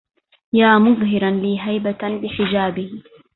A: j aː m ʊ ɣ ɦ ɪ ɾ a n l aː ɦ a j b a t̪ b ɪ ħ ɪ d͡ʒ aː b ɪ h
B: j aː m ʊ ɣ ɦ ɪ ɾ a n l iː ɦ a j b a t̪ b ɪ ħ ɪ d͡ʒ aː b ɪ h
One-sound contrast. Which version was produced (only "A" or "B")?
B